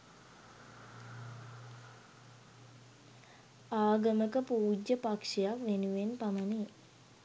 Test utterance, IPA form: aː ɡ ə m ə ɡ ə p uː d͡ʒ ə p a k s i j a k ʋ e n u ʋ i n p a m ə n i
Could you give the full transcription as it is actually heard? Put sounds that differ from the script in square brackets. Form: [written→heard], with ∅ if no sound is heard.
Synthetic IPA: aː ɡ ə m ə [ɡ→k] ə p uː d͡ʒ ə p a k [s→ʂ] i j a k ʋ e n u ʋ [i→e] n p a m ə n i